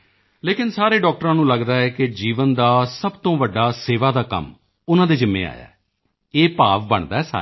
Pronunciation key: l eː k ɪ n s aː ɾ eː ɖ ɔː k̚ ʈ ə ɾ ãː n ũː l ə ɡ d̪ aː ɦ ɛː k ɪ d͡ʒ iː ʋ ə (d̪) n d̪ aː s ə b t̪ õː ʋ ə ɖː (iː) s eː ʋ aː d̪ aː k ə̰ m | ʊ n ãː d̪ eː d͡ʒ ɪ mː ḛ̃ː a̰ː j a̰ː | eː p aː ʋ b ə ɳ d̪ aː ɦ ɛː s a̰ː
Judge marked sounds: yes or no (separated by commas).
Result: no, no